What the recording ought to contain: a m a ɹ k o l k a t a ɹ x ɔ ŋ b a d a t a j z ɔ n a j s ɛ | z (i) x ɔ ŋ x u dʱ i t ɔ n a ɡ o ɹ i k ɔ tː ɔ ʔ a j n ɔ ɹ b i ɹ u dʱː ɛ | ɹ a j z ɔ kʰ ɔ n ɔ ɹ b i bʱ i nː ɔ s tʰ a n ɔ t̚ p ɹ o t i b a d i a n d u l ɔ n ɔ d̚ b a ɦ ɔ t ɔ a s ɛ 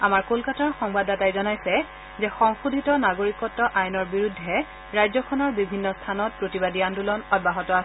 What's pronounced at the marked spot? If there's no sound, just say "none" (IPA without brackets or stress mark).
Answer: ɛ